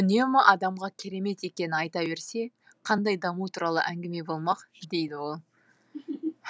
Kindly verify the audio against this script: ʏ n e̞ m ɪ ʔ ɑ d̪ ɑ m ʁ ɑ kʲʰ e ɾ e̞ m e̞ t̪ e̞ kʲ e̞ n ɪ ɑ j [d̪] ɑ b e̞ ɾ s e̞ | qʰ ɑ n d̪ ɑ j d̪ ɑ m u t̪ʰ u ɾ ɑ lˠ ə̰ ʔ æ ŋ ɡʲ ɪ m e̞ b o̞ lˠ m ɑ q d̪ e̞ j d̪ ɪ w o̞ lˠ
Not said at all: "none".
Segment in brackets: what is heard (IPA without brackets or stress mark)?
t̪